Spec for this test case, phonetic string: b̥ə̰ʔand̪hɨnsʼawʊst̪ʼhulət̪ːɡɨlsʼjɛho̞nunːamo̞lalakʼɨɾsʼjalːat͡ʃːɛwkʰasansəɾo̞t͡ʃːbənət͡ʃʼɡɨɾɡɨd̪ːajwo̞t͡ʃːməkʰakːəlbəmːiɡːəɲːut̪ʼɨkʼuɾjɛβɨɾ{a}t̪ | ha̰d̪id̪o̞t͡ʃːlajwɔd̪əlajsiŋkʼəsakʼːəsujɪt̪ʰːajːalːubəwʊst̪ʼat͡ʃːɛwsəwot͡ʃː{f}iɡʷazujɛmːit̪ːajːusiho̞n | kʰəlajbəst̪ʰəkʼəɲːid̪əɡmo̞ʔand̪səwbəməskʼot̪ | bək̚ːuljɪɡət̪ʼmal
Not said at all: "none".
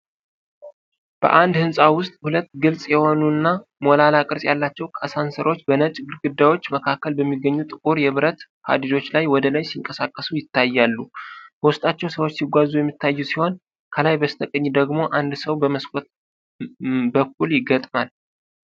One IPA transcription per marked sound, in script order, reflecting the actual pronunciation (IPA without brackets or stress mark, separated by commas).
ə, s